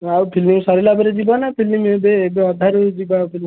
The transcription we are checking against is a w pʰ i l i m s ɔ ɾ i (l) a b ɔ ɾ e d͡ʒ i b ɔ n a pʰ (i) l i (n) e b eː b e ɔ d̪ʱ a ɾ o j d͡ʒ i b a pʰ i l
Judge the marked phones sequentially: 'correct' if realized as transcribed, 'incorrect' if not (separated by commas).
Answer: correct, correct, incorrect